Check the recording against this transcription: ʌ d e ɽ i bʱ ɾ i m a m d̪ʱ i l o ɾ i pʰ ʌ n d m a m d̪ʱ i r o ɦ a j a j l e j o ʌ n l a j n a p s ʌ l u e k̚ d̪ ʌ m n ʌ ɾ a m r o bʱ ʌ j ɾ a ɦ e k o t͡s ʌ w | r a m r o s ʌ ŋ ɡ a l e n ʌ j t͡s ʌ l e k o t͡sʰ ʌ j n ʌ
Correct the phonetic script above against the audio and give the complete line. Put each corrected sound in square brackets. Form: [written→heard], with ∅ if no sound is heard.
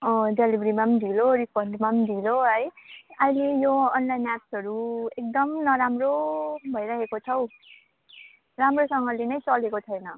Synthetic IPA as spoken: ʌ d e [ɽ→l] i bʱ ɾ i m a m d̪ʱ i l o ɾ i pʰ ʌ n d m a m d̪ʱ i [r→l] o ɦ [a→ʌ] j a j l e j o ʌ n l a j n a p s ʌ [l→ɾ] u e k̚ d̪ ʌ m n ʌ ɾ a m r o bʱ ʌ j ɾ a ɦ e k o [t͡s→t͡sʰ] ʌ w | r a m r o s ʌ ŋ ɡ [a→ʌ] l e n ʌ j t͡s ʌ l e k o t͡sʰ ʌ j n ʌ